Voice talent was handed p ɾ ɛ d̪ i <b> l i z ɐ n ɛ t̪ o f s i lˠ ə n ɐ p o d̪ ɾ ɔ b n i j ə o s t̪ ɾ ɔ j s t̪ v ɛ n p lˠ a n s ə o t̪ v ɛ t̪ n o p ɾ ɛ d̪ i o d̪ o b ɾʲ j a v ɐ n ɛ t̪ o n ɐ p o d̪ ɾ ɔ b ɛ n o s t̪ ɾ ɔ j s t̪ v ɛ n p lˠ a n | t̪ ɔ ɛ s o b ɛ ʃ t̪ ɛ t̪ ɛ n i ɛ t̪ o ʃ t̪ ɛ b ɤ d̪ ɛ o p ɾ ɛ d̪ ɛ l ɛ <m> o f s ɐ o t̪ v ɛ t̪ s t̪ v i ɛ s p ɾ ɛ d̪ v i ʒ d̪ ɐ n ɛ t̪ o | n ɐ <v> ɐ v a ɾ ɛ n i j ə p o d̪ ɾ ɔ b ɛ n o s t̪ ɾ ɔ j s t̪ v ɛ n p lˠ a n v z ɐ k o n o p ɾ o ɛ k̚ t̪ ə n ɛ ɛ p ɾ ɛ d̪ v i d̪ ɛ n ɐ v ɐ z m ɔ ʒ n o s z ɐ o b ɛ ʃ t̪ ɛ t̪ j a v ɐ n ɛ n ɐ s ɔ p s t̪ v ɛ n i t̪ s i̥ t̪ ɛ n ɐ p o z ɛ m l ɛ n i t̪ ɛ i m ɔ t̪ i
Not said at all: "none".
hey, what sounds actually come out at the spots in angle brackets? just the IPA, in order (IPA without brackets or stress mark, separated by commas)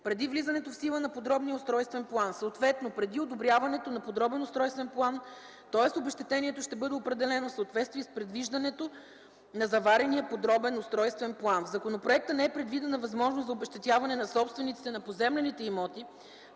v, n, z